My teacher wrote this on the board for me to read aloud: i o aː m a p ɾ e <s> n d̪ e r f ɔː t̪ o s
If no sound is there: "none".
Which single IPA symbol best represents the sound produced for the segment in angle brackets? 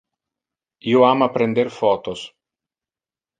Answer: none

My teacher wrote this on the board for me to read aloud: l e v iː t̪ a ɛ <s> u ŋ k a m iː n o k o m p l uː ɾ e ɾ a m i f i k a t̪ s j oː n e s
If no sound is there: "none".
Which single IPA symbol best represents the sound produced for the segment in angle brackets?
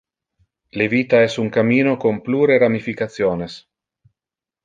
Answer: s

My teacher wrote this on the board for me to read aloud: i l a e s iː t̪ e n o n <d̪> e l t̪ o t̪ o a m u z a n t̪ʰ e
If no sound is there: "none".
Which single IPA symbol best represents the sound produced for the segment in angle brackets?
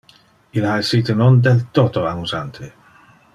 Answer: d̪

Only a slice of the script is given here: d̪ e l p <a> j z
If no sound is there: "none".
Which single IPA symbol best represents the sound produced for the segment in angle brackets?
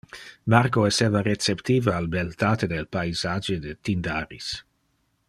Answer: a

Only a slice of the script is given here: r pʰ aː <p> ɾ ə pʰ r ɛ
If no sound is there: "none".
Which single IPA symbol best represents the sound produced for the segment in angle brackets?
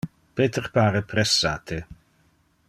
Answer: none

